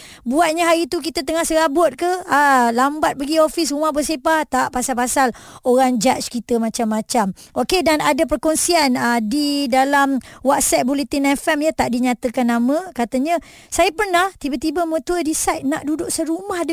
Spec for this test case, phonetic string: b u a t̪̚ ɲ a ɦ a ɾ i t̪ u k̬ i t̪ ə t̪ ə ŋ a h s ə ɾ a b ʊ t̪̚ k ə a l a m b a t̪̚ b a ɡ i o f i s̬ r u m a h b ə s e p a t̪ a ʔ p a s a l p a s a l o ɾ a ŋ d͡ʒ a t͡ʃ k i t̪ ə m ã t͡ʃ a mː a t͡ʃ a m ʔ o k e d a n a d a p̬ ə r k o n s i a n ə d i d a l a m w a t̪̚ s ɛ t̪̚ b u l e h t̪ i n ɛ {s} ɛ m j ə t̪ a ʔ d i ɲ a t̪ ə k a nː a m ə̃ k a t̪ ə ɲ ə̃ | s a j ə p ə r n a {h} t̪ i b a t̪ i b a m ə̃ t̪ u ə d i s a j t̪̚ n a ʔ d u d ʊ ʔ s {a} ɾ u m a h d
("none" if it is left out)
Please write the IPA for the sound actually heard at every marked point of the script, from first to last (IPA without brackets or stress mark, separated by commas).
f, h, ə